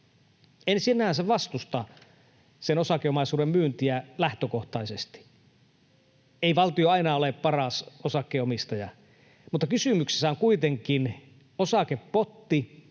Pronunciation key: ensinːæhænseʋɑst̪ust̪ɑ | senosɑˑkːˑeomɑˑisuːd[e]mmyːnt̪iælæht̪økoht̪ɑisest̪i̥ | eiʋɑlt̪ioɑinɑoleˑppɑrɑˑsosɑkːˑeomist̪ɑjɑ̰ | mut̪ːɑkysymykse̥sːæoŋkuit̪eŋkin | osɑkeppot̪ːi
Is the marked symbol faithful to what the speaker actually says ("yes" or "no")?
yes